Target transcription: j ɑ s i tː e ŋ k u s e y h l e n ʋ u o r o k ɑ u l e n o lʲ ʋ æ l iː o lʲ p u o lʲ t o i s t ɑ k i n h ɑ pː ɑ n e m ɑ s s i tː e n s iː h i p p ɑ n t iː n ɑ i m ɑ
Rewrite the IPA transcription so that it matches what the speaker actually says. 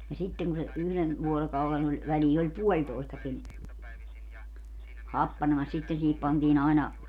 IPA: j ɑ s i tː e ŋ k u s e y h l e n ʋ u o r o k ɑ u l e n o lʲ ʋ æ l iː o lʲ p u o lʲ t o i s t ɑ k i n h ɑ pː ɑ n e m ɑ s s i tː e n s iː h i p p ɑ n t iː n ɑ i n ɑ